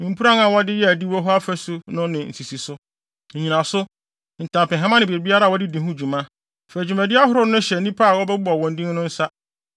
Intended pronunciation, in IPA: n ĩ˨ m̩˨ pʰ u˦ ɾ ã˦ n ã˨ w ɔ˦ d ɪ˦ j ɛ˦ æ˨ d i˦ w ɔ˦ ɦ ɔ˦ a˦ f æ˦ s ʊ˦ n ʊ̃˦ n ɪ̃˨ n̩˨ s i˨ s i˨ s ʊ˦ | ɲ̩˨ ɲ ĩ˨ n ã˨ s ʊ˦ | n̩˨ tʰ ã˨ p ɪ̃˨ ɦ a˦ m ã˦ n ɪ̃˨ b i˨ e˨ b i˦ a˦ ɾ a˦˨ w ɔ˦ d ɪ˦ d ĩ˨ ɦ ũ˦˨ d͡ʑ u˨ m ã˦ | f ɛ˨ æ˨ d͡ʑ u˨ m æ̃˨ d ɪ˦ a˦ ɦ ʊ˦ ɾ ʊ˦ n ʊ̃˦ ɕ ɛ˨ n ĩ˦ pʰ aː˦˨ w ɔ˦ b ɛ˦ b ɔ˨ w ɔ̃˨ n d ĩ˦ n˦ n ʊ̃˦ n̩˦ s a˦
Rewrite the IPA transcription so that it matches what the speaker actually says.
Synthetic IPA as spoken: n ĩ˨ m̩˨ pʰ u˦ ɾ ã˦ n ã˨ w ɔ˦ d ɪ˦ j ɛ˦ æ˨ d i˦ w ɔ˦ ɦ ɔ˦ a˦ f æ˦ s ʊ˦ n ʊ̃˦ n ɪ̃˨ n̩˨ s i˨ s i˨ s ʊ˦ | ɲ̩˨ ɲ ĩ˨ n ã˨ s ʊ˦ | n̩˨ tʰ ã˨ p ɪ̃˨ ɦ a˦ m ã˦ n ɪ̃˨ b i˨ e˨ b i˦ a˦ ɾ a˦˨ w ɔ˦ d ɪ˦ d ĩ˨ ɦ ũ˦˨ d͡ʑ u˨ m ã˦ | f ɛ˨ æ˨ d͡ʑ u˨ m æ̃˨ d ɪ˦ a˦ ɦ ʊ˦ ɾ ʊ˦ n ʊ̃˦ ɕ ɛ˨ n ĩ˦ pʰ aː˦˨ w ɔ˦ b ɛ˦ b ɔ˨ w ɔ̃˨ n d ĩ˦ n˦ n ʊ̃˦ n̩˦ s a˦